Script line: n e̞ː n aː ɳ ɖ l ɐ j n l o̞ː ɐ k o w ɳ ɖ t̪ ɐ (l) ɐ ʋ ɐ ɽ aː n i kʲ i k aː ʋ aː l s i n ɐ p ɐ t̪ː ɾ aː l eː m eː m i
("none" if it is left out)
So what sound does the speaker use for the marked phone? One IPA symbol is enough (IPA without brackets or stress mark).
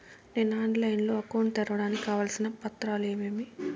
ɾ